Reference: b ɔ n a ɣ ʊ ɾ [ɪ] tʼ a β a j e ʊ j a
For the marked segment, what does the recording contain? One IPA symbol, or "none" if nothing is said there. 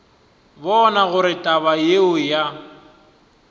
ɪ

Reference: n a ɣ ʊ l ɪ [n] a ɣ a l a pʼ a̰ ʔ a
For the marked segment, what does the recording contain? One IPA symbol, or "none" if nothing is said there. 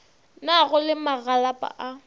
m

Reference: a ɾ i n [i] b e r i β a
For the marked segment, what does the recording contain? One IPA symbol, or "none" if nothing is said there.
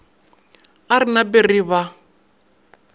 a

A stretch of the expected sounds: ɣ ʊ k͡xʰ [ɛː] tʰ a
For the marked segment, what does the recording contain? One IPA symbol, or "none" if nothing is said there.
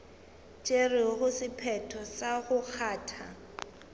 aː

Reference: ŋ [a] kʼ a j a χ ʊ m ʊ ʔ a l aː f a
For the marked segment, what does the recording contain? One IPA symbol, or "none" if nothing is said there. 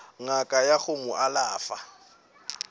a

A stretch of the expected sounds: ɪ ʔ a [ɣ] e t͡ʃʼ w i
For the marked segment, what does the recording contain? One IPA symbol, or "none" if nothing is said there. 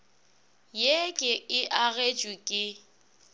ɣ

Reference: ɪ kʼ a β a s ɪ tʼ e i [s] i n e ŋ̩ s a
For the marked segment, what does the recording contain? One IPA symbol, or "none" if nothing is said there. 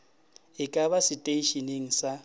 ʃ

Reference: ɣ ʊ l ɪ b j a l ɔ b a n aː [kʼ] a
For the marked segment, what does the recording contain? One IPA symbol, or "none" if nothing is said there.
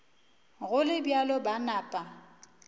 pʼ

